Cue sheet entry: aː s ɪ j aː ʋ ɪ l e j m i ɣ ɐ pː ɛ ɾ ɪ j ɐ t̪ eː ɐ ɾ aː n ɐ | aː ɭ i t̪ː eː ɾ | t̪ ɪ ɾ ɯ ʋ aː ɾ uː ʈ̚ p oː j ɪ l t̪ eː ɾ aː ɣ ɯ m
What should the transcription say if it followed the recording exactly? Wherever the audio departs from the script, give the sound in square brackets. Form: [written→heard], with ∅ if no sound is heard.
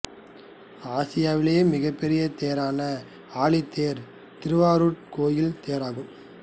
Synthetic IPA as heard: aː s ɪ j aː ʋ ɪ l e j m [i→ɪ] ɣ ɐ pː ɛ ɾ ɪ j ɐ t̪ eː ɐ ɾ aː n ɐ | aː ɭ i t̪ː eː ɾ | t̪ ɪ ɾ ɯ ʋ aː ɾ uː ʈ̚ [p→k] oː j ɪ l t̪ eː ɾ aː ɣ ɯ m